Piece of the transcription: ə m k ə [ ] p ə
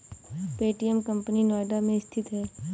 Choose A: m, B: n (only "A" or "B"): A